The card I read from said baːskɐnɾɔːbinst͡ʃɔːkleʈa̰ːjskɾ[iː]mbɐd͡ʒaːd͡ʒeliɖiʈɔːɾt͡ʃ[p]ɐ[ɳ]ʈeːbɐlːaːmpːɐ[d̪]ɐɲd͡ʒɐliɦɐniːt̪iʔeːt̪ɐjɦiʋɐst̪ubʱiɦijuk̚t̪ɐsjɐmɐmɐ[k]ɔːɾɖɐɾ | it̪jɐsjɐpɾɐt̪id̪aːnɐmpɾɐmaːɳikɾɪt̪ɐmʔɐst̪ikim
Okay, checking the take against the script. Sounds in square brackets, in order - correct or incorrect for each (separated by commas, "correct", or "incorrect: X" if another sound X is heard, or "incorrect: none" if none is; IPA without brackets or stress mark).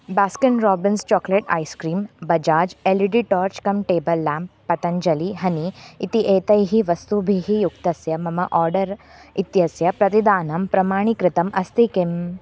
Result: correct, incorrect: k, incorrect: m, incorrect: t̪, incorrect: ʔ